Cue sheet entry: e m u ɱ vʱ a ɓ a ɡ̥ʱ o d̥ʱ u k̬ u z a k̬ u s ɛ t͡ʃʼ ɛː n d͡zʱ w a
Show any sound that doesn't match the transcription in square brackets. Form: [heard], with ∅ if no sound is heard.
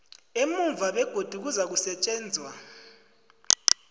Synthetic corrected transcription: e m u ɱ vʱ a ɓ [ɛ] ɡ̥ʱ o d̥ʱ u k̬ u z a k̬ u s ɛ t͡ʃʼ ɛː n d͡zʱ w a